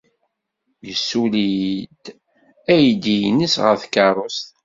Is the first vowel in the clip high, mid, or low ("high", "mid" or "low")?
mid